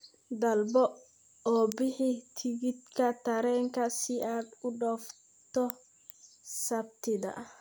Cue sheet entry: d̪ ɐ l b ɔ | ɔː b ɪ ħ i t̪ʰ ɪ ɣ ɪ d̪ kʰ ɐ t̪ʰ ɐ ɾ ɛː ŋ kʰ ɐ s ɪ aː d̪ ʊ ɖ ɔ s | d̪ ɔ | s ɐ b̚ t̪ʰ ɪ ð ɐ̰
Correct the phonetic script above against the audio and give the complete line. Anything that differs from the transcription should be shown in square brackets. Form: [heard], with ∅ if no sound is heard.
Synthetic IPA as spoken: d̪ ɐ l b ɔ | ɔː b ɪ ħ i t̪ʰ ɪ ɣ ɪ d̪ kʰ ɐ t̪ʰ ɐ ɾ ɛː ŋ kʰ ɐ s ɪ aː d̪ ʊ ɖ ɔ [f] | [t̪] ɔ | s ɐ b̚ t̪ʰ ɪ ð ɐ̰